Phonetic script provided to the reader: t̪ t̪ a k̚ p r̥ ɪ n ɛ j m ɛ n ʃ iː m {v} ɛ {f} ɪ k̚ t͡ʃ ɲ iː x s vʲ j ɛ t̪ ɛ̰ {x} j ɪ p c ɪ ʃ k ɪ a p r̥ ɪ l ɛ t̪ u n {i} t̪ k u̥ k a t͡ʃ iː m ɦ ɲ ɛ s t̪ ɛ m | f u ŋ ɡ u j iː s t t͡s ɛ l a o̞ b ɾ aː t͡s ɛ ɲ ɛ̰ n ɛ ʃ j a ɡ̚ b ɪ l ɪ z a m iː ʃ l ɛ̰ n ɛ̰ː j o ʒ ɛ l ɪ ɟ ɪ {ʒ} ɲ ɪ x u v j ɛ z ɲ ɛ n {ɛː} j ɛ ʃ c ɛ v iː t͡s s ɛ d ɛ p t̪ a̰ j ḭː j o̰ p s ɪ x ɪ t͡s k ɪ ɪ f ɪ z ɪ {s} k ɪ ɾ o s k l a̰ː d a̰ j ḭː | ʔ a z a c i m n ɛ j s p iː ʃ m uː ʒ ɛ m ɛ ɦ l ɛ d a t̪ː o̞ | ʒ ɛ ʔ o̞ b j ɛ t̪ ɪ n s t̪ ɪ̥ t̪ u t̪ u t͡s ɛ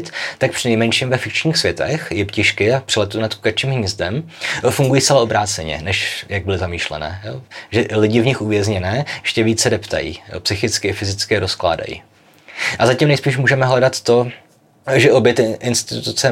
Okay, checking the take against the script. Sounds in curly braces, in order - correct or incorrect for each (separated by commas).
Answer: correct, correct, correct, incorrect, incorrect, correct, incorrect